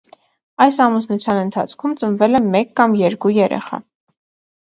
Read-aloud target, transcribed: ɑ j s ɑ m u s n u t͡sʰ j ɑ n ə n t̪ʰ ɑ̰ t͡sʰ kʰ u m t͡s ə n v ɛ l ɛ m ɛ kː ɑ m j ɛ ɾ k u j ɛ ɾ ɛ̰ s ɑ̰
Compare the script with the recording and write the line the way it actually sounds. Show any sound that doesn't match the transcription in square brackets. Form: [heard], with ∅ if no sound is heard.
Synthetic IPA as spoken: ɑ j s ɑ m u s n u t͡sʰ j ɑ n ə n t̪ʰ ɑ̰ t͡sʰ kʰ u m t͡s ə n v ɛ l ɛ m ɛ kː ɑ m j ɛ ɾ k u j ɛ ɾ ɛ̰ [χ] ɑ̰